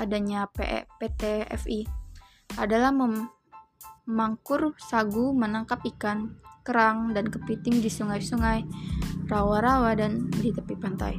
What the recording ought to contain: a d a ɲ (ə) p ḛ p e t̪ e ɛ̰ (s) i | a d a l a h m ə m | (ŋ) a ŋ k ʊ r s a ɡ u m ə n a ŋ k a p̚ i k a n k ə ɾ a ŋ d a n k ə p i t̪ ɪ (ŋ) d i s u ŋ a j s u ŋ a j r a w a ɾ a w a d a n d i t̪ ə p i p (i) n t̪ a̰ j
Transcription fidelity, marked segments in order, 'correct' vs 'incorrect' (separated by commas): incorrect, incorrect, incorrect, correct, incorrect